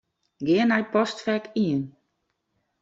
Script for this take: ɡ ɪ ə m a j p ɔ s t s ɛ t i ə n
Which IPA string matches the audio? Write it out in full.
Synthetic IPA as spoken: ɡ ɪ ə n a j p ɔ s t f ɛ k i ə n